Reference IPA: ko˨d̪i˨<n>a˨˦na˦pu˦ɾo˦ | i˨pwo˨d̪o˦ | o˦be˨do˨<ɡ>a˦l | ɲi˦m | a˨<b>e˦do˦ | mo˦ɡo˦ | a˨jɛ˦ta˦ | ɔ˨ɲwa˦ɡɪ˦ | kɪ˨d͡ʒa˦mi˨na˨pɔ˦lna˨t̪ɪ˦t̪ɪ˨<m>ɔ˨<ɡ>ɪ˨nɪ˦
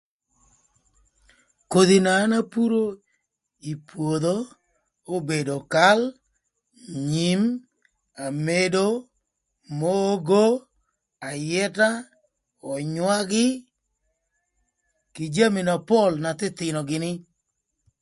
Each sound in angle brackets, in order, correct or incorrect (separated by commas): correct, incorrect, incorrect, incorrect, correct